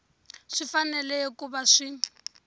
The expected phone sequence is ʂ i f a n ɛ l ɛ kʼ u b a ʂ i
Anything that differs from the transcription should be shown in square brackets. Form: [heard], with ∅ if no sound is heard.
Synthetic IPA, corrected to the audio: ʂ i f a n ɛ l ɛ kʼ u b a ʂ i